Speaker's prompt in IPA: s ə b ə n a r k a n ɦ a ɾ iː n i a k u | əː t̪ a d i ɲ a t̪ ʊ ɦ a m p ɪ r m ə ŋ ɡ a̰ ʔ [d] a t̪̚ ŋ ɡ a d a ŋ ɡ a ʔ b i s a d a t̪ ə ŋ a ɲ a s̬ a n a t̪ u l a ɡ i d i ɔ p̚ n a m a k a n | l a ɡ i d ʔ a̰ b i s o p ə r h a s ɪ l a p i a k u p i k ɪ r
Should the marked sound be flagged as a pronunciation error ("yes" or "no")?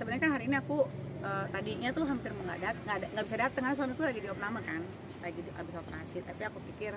no